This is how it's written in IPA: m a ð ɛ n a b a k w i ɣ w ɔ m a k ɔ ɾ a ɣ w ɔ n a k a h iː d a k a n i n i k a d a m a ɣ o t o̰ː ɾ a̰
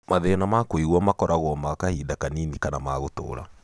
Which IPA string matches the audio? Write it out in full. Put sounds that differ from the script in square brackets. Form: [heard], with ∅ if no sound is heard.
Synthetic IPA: m a ð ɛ n a [m] a k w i ɣ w ɔ m a k ɔ ɾ a ɣ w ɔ [m] a k a h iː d a k a n i n i k a [n] a m a ɣ o t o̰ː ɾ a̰